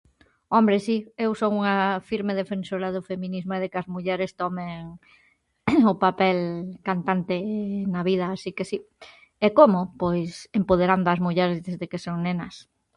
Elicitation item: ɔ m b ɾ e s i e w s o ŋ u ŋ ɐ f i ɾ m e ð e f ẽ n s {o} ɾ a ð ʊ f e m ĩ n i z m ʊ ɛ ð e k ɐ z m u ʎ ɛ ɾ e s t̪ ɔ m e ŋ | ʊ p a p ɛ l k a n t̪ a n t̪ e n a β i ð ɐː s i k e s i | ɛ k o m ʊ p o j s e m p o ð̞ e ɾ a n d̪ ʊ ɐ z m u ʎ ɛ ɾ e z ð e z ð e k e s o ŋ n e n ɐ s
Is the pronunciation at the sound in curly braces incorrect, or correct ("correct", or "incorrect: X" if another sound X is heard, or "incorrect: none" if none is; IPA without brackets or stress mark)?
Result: correct